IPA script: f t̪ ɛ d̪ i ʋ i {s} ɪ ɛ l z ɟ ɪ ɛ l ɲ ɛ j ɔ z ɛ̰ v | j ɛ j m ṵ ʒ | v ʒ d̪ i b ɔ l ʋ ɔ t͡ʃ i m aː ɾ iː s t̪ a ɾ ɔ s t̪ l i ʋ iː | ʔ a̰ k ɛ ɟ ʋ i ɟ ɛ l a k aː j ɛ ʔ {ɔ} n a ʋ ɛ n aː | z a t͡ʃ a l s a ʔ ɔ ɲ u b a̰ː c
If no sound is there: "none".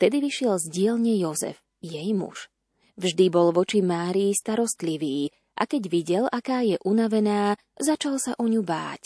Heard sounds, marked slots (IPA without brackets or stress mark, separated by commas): ʃ, u